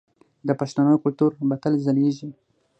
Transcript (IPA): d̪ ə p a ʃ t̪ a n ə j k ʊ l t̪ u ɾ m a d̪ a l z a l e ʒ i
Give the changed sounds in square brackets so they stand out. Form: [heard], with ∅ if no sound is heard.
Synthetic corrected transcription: d̪ ə p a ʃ t̪ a n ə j k ʊ l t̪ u ɾ [b] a [t̪] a l z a l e ʒ i